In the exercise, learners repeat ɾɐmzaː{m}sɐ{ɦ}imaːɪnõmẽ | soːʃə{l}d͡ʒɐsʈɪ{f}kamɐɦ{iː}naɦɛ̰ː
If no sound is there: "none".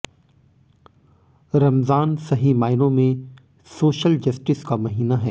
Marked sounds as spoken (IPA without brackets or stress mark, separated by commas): n, ɦ, l, s, iː